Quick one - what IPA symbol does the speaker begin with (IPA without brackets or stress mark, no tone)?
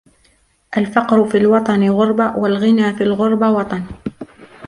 ʔ